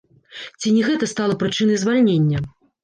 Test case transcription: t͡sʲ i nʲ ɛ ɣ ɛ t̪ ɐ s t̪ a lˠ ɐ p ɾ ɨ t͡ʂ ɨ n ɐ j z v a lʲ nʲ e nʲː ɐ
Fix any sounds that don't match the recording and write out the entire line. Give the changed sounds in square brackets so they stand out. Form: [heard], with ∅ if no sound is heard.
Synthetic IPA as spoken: t͡sʲ i nʲ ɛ ɣ ɛ t̪ ɐ s t̪ a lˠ ɐ p ɾ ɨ t͡ʂ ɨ n ɐ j z v a lʲ nʲ e nʲː ɐ